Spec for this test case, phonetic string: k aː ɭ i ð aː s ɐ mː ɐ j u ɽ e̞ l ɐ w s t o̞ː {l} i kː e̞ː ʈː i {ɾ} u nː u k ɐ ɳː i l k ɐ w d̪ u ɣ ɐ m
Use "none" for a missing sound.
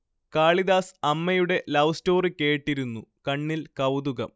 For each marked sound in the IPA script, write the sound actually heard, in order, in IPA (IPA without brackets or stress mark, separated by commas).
r, ɾ